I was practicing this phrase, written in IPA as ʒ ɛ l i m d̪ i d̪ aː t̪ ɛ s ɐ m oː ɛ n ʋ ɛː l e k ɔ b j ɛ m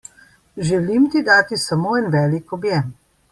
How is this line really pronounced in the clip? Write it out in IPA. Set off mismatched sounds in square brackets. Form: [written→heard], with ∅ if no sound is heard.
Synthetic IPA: ʒ ɛ l i m [d̪→t̪] i d̪ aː t̪ [ɛ→i] s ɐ m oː ɛ n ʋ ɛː l [e→i] k ɔ b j ɛ m